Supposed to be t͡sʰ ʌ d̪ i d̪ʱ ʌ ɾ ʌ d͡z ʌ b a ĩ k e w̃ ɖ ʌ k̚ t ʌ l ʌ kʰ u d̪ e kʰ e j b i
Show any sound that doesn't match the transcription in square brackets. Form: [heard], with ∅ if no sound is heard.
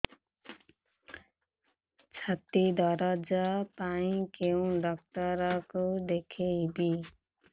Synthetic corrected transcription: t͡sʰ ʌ [t̪] i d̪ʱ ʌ ɾ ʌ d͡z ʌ [p] a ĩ k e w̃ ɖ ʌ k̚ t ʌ [ɾ] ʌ [k] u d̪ e kʰ e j b i